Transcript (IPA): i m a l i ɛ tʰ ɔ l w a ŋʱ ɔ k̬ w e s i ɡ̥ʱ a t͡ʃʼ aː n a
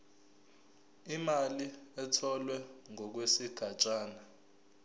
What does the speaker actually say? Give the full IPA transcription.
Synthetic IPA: i m a l i ɛ tʰ ɔ l w ɛ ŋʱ ɔ k̬ w e s i ɡ̥ʱ a t͡ʃʼ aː n a